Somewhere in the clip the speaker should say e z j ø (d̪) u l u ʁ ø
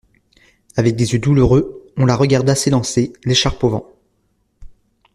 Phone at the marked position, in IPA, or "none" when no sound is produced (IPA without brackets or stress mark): d̪